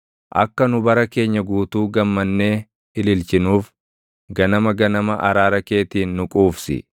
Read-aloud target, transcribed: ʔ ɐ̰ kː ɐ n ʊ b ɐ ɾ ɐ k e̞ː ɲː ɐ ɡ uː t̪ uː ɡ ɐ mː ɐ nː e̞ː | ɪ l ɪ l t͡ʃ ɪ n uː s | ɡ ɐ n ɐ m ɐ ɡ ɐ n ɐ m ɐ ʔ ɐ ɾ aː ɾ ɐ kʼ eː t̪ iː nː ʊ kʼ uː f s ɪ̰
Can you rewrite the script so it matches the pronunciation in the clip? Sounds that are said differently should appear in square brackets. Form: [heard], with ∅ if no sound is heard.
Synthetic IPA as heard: ʔ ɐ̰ kː ɐ n ʊ b ɐ ɾ ɐ k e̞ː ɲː ɐ ɡ uː t̪ uː ɡ ɐ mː ɐ nː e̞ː | ɪ l ɪ l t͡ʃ ɪ n uː [f] | ɡ ɐ n ɐ m ɐ ɡ ɐ n ɐ m ɐ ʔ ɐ ɾ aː ɾ ɐ [k] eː t̪ iː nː ʊ kʼ uː f s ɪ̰